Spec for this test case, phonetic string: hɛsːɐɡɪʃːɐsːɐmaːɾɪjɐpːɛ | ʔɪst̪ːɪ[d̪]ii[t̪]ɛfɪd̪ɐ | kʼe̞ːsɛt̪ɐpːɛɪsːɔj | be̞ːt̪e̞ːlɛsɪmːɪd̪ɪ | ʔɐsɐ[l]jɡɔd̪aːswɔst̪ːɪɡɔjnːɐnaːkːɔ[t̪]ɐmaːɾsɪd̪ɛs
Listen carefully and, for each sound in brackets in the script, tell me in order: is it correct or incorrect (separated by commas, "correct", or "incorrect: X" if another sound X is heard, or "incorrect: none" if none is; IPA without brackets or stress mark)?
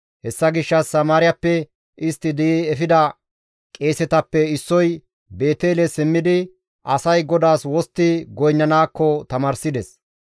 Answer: correct, incorrect: none, incorrect: none, correct